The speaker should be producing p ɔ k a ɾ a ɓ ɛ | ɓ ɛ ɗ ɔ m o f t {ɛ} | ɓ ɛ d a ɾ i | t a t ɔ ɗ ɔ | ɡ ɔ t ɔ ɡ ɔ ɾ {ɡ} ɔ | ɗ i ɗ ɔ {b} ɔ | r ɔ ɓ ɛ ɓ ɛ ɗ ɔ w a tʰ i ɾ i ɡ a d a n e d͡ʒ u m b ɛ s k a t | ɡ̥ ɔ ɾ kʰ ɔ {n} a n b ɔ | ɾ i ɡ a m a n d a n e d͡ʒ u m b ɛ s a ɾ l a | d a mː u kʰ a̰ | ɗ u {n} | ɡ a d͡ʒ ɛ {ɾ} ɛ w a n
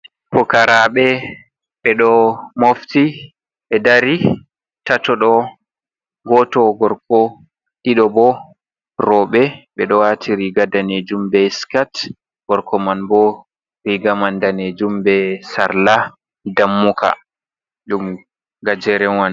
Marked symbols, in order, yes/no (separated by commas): no, no, yes, no, no, yes